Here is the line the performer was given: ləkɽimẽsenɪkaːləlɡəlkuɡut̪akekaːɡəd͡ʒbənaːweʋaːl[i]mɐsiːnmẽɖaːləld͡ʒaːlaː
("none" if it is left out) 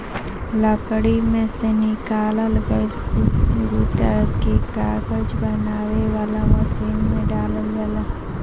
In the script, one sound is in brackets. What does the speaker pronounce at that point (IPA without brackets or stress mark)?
a